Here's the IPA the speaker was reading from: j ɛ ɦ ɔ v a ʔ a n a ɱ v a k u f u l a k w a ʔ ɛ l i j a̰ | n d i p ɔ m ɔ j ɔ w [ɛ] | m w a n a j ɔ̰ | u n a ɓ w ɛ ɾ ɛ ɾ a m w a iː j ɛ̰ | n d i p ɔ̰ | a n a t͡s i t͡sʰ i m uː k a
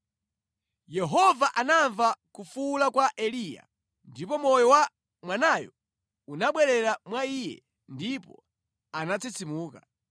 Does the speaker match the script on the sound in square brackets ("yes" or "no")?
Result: no